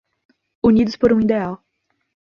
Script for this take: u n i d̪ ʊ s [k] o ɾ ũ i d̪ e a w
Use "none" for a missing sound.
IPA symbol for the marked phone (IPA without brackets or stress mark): p